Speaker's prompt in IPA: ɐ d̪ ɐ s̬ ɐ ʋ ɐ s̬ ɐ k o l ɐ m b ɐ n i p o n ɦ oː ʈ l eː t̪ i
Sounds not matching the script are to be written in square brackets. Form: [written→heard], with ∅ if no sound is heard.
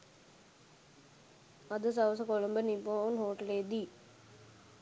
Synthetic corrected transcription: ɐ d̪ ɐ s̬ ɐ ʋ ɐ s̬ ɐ k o l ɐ m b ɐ n i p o n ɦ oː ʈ l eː [t̪→d̪] i

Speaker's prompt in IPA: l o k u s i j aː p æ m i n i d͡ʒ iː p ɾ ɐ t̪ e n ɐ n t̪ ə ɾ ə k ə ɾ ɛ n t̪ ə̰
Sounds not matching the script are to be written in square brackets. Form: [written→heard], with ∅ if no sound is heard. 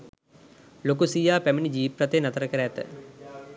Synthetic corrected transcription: l o k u s i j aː p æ m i n i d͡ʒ iː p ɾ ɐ t̪ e n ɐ [n→∅] t̪ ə ɾ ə k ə ɾ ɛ [n→∅] t̪ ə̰

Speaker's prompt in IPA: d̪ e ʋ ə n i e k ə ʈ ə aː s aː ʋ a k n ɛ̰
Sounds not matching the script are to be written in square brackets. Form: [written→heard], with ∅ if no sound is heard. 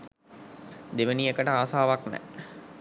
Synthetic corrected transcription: d̪ e ʋ ə n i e k ə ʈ ə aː s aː ʋ a k n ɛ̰

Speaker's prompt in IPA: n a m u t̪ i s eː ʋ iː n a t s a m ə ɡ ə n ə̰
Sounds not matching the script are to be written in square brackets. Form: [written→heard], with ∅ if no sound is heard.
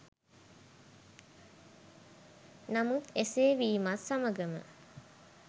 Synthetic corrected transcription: n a m u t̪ [i→e] s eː ʋ iː [n→m] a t s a m ə ɡ ə [n→m] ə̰

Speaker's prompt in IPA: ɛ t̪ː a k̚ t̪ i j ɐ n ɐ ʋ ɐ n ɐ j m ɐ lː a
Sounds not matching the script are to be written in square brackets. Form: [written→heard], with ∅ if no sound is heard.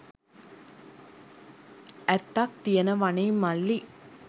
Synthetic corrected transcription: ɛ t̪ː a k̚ t̪ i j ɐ n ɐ ʋ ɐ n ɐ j m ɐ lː [a→i]

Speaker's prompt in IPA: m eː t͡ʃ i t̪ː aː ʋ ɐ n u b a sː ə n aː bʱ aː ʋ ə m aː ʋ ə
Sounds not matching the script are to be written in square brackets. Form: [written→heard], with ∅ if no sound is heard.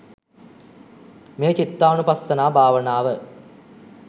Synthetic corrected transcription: m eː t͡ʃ i t̪ː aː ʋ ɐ n u [b→p] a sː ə n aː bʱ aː ʋ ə [m→n] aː ʋ ə

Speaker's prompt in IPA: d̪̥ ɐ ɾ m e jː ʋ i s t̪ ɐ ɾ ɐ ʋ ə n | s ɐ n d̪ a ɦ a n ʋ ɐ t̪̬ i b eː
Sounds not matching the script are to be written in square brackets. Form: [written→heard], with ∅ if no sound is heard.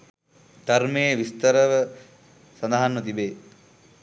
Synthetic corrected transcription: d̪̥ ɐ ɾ m e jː ʋ i s t̪ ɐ ɾ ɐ ʋ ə [n→∅] | s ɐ n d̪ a ɦ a n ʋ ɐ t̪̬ i b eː

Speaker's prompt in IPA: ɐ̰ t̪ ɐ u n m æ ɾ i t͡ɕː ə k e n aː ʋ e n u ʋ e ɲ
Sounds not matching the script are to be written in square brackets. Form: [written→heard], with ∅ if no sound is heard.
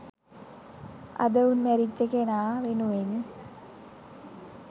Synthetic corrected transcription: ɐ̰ [t̪→d̪] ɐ u n m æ ɾ i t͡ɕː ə k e n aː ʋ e n u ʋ e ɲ

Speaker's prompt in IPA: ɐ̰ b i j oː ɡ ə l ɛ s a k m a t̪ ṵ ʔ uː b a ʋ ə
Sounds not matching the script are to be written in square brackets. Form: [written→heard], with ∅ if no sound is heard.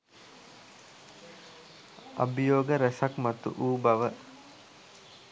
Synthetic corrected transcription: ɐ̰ b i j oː ɡ ə [l→ɾ] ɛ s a k m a t̪ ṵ ʔ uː b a ʋ ə

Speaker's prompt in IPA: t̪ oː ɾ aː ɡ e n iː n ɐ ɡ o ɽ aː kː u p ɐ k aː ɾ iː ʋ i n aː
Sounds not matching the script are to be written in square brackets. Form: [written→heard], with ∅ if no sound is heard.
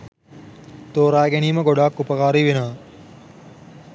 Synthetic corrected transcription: t̪ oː ɾ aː ɡ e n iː [n→m] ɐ ɡ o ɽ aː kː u p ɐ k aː ɾ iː ʋ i n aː

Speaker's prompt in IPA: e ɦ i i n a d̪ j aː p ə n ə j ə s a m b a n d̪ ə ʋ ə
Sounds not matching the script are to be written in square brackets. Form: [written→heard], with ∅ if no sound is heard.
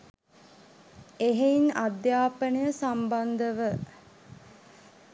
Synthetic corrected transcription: e ɦ [i→e] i n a d̪ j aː p ə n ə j ə s a m b a n d̪ ə ʋ ə

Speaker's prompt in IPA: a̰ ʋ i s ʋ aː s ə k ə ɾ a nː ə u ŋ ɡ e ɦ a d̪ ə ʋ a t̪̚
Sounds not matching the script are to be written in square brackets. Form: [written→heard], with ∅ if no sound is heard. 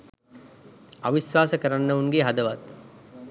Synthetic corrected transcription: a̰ ʋ i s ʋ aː s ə k ə ɾ a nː ə u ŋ ɡ e ɦ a d̪ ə ʋ a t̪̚

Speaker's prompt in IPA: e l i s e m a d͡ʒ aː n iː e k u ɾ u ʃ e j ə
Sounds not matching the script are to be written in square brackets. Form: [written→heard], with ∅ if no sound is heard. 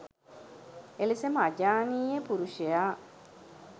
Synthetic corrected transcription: e l i s e m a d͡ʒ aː n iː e [k→p] u ɾ u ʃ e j [ə→a]

